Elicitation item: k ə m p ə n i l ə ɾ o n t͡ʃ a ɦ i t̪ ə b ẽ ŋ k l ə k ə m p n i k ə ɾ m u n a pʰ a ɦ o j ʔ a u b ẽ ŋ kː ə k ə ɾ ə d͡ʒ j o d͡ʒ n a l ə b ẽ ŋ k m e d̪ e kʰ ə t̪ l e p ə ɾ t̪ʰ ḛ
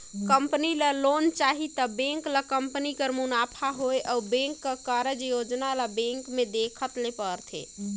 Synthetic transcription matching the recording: k ə m p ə n i l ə l o n t͡ʃ a ɦ i t̪ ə b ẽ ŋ k l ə k ə m p n i k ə ɾ m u n a pʰ a ɦ o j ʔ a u b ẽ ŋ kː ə k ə ɾ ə d͡ʒ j o d͡ʒ n a l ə b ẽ ŋ k m e d̪ e kʰ ə t̪ l e p ə ɾ t̪ʰ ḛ